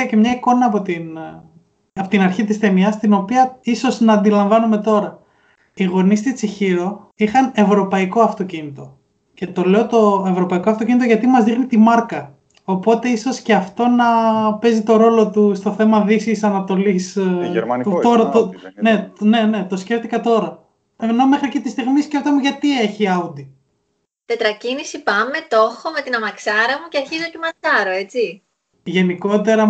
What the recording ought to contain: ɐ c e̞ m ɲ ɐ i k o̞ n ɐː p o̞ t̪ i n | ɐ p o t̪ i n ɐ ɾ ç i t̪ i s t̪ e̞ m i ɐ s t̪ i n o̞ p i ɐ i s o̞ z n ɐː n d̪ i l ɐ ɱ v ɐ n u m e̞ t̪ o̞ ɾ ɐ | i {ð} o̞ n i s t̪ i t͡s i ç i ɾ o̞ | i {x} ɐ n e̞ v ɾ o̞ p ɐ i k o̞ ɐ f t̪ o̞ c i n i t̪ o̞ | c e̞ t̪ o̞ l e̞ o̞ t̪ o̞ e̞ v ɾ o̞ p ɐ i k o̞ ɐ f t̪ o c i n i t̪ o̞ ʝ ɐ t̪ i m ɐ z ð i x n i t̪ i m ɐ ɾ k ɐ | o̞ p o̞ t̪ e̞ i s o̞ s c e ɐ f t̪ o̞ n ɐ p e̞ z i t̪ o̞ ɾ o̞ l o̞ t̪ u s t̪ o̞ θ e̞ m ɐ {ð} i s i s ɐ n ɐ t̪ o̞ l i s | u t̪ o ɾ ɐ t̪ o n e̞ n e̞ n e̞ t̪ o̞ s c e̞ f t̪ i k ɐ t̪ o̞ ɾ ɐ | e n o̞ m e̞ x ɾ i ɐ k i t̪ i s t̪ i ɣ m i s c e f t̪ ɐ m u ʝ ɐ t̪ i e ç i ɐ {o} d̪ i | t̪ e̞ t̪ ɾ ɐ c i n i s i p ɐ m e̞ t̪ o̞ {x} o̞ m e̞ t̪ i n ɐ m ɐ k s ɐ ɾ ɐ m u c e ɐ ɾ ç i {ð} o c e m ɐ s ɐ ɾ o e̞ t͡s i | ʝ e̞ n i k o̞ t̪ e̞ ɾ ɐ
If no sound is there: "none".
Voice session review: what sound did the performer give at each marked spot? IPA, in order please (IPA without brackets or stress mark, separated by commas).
ɣ, x, ð, u, x, z